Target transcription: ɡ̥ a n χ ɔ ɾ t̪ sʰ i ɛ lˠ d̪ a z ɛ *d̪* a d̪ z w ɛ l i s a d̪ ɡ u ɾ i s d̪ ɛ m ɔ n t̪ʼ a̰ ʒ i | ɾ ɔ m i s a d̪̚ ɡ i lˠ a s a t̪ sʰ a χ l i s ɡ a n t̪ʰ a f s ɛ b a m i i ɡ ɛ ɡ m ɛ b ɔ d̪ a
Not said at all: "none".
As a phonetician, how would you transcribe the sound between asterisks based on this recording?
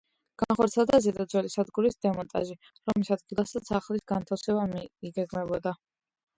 d̪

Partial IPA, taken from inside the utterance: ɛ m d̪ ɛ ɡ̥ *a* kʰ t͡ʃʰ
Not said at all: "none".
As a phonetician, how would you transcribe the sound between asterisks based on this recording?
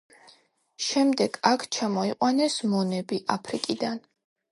a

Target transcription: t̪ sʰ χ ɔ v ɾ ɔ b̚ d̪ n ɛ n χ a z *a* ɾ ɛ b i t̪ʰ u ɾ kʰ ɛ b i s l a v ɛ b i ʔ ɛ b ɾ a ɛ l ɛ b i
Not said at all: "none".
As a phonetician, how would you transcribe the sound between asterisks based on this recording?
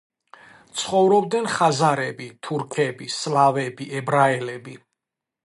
a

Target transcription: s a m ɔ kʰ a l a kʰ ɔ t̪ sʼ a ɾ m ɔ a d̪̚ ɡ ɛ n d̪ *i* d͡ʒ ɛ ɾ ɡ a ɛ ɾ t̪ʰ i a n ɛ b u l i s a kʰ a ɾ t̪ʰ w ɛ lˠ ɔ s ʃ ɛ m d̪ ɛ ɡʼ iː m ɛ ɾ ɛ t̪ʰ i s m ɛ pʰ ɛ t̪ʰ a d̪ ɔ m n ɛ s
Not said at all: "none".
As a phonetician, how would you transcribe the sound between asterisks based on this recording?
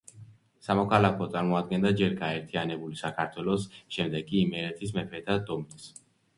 a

